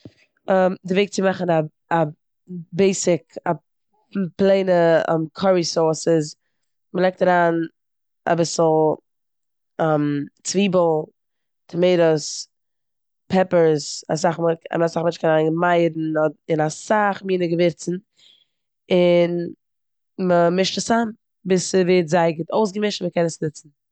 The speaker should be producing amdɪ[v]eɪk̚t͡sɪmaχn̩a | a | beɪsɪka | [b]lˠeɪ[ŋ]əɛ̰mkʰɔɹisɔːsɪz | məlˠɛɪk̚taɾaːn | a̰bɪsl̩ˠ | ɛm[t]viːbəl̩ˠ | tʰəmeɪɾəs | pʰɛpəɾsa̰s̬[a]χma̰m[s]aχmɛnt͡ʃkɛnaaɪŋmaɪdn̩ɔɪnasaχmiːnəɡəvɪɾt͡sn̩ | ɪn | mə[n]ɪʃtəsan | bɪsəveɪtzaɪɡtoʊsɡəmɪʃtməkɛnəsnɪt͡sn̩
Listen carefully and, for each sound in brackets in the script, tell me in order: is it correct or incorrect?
correct, incorrect: p, incorrect: n, incorrect: t͡s, correct, correct, incorrect: m

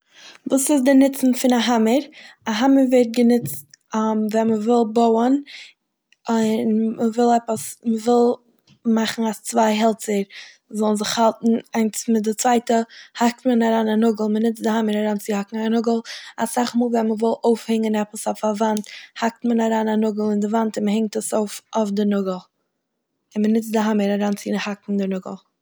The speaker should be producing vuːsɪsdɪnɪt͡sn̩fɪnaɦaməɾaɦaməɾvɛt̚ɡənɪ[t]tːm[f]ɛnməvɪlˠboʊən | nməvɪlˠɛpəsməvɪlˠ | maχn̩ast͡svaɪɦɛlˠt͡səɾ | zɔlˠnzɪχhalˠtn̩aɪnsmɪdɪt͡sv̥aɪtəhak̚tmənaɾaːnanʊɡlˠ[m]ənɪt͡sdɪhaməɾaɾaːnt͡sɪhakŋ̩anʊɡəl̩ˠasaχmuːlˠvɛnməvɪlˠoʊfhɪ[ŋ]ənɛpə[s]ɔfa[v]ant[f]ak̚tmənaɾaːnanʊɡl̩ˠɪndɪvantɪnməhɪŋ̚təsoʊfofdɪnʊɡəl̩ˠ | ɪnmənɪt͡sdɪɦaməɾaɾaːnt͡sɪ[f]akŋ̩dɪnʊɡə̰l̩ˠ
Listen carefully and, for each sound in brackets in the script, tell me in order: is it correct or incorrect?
incorrect: t͡s, incorrect: v, correct, correct, correct, correct, incorrect: h, incorrect: h

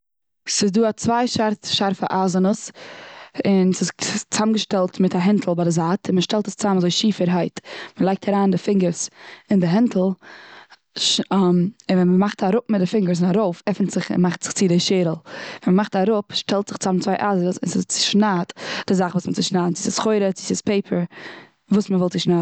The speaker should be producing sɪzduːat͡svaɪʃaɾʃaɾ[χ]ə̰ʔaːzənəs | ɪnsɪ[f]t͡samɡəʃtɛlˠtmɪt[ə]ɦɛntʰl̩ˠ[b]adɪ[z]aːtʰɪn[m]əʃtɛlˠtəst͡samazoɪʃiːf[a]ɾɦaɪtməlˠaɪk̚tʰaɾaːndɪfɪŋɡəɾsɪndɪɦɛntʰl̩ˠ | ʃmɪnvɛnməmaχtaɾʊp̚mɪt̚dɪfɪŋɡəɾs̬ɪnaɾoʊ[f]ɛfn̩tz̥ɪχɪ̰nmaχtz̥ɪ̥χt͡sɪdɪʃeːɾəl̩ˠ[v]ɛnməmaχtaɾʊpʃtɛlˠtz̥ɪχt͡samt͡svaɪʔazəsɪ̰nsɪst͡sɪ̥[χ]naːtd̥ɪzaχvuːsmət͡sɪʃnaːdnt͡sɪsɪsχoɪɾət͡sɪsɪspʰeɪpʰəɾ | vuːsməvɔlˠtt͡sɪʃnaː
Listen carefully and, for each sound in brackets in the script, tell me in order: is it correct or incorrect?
incorrect: f, incorrect: s, incorrect: a, correct, correct, correct, incorrect: ə, correct, correct, incorrect: ʃ

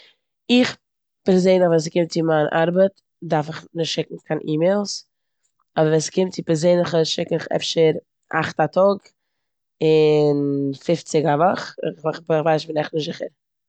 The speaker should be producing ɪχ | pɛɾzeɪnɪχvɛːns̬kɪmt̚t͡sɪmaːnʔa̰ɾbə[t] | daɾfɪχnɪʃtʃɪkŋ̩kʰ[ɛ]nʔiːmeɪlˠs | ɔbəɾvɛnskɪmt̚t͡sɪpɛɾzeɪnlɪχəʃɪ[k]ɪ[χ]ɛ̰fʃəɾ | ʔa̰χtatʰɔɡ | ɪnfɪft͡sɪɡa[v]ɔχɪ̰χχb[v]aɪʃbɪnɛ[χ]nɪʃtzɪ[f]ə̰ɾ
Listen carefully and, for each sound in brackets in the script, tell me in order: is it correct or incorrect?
correct, incorrect: a, correct, correct, correct, correct, correct, incorrect: χ

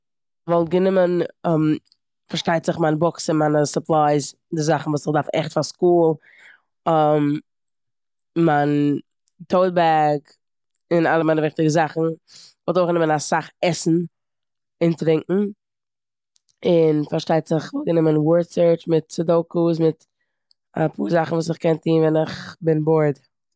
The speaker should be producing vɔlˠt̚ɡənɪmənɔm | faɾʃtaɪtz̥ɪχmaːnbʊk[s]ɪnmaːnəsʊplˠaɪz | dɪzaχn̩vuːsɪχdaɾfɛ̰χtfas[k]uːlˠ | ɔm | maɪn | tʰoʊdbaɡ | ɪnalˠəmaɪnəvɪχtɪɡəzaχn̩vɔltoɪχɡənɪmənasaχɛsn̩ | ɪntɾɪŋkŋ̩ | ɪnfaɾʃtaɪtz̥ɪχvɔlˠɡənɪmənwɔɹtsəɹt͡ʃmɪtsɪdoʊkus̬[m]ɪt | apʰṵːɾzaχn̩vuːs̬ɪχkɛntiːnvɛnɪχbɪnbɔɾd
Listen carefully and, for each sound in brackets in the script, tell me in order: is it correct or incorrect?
correct, correct, correct

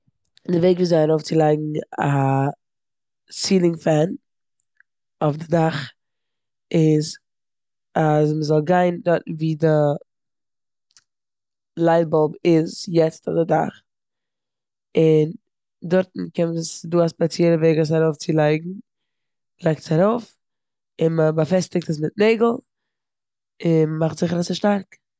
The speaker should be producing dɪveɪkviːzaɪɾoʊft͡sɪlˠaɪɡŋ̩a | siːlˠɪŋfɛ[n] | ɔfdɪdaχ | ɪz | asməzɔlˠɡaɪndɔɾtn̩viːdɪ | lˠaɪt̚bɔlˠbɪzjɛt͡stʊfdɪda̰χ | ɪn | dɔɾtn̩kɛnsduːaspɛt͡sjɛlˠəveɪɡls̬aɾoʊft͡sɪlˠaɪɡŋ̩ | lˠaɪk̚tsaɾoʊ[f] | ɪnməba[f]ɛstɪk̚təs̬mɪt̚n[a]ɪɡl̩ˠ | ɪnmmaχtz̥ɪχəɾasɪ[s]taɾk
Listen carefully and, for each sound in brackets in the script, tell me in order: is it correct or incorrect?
correct, correct, correct, incorrect: e, incorrect: ʃ

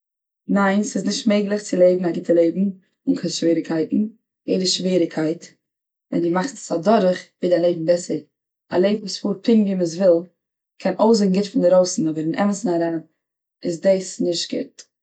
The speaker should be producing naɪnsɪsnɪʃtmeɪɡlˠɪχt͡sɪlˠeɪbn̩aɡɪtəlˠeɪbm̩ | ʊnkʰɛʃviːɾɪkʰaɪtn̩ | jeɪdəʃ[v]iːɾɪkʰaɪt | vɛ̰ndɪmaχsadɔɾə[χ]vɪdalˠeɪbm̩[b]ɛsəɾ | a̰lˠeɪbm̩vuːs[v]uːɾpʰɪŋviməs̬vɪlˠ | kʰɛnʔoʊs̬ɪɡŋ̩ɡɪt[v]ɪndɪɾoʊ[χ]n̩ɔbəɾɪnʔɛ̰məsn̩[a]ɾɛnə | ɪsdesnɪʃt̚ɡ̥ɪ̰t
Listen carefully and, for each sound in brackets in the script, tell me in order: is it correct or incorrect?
correct, correct, correct, incorrect: f, incorrect: f, incorrect: s, correct

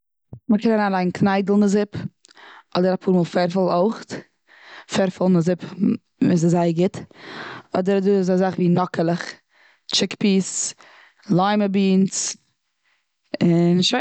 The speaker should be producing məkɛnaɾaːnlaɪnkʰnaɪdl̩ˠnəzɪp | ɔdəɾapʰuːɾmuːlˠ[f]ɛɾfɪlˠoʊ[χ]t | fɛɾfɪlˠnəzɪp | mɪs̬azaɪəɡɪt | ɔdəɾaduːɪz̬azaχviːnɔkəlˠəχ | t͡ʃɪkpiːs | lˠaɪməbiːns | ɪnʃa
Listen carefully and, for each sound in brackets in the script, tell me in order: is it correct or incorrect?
correct, correct

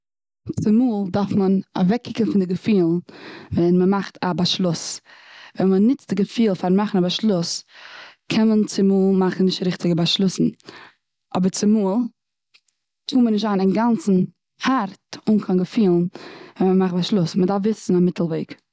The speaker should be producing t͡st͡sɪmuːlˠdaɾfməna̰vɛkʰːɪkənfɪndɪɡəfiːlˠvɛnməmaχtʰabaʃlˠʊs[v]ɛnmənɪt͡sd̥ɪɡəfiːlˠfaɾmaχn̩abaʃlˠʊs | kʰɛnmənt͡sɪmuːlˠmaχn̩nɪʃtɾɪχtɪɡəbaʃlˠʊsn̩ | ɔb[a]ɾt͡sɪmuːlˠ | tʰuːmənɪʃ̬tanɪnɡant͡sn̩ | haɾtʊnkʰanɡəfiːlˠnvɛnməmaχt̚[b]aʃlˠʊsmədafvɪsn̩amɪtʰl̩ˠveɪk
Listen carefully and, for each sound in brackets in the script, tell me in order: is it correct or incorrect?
correct, incorrect: ə, correct

